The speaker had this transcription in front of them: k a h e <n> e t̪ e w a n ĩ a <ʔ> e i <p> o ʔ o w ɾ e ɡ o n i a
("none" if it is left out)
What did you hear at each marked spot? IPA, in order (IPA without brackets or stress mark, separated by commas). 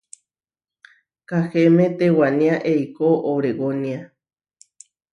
m, ʔ, k